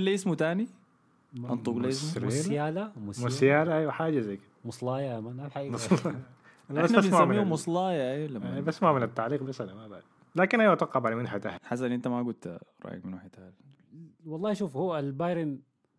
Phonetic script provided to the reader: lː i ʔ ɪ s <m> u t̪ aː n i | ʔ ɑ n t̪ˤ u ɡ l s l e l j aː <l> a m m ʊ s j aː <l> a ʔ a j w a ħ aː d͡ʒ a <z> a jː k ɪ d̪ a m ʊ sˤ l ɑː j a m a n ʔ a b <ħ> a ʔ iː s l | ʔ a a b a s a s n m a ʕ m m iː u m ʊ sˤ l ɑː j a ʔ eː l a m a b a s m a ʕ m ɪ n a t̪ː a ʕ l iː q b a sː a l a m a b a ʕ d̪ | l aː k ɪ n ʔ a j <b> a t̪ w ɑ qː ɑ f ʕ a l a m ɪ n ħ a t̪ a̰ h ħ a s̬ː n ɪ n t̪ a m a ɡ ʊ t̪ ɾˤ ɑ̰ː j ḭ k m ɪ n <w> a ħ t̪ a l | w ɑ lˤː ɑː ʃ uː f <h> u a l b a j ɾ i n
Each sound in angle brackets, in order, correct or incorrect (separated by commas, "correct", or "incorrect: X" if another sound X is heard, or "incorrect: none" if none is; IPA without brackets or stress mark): correct, correct, correct, correct, correct, incorrect: w, correct, correct